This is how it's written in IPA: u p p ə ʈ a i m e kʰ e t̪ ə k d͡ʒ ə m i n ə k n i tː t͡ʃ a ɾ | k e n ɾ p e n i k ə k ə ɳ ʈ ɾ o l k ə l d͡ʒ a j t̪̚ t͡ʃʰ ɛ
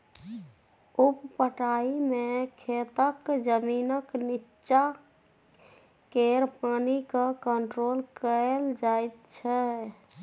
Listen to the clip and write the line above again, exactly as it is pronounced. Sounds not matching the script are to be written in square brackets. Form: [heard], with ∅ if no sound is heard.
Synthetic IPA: u p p ə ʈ a i m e kʰ e t̪ ə k d͡ʒ ə m i n ə k n i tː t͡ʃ a [∅] | k e [∅] ɾ p [a] n i k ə k ə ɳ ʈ ɾ o l k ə l d͡ʒ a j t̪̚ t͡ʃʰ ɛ